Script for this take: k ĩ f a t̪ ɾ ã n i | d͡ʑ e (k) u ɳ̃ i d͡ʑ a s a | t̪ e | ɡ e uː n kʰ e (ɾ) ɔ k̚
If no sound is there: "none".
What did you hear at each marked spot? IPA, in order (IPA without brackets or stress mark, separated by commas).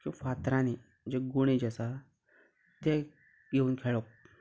ɡ, ɭ